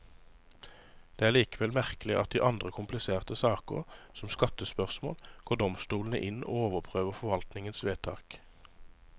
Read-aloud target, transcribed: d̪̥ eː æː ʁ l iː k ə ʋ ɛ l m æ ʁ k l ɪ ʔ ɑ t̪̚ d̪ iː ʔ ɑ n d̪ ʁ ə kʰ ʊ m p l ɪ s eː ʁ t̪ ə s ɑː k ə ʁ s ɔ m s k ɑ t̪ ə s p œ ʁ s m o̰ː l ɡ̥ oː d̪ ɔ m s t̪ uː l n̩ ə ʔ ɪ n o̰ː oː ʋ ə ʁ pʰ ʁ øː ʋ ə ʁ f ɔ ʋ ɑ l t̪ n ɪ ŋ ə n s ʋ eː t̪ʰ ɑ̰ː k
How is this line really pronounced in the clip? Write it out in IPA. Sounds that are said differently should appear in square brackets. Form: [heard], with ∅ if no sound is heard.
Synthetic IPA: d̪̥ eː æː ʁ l iː k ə ʋ ɛ l m æ ʁ k l ɪ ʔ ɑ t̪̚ d̪ iː ʔ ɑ n d̪ ʁ ə kʰ ʊ m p l ɪ s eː ʁ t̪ ə s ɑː k ə ʁ s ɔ m s k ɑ t̪ ə s p œ ʁ s m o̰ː l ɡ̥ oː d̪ ɔ m s t̪ uː l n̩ ə ʔ ɪ n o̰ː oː ʋ ə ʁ pʰ ʁ øː ʋ ə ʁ f ɔ ʋ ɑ l t̪ n ɪ ŋ ə n s ʋ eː t̪ʰ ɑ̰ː k